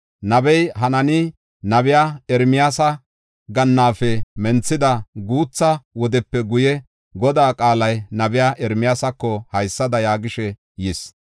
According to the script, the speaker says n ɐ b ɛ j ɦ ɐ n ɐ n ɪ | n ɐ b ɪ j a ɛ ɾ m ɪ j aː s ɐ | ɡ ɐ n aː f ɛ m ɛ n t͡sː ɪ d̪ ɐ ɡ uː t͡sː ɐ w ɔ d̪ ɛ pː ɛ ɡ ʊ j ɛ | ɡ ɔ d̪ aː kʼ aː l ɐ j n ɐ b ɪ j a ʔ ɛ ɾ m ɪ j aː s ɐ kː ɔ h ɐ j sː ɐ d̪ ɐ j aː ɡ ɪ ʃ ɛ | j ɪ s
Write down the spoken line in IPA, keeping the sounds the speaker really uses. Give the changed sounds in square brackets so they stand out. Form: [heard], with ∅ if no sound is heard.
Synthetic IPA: n ɐ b ɛ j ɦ ɐ n ɐ n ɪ | n ɐ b ɪ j a ɛ ɾ m ɪ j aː s ɐ | ɡ ɐ [nː] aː f ɛ m ɛ n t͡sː ɪ d̪ ɐ ɡ uː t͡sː ɐ w ɔ d̪ ɛ pː ɛ ɡ ʊ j ɛ | ɡ ɔ d̪ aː kʼ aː l ɐ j n ɐ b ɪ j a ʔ ɛ ɾ m ɪ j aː s ɐ kː ɔ h ɐ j sː ɐ d̪ ɐ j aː ɡ ɪ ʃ ɛ | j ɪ s